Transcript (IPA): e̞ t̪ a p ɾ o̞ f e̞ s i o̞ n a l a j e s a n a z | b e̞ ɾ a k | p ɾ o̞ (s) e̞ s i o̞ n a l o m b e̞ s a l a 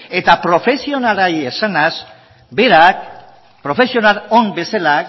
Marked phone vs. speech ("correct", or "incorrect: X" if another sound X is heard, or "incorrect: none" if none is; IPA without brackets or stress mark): incorrect: f